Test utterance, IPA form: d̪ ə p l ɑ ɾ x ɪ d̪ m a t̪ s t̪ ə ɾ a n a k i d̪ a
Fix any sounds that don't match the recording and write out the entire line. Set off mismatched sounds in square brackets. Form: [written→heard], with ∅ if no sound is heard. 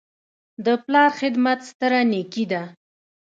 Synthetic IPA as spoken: d̪ ə p l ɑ ɾ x ɪ d̪ m a t̪ s t̪ ə ɾ a n [a→e] k i d̪ a